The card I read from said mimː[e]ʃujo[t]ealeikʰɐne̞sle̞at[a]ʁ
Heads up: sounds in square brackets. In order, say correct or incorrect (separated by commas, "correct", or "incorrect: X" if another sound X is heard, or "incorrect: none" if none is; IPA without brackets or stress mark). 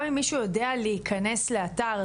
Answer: incorrect: i, incorrect: d, correct